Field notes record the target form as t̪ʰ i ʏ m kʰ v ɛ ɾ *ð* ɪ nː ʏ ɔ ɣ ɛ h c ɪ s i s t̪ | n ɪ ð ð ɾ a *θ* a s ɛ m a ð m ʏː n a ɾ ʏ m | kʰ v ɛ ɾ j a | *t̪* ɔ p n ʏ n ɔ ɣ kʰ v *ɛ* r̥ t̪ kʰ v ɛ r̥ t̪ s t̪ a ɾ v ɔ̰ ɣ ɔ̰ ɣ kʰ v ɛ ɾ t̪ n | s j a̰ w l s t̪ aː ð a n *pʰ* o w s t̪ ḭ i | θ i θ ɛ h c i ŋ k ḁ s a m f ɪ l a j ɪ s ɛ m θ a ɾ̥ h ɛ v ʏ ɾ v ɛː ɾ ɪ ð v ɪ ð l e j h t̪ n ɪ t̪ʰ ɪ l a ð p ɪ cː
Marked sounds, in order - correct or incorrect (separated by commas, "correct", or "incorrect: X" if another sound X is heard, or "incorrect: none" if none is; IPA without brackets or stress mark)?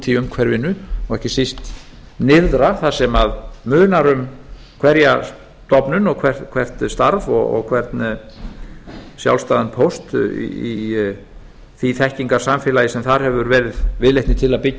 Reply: incorrect: v, correct, correct, correct, correct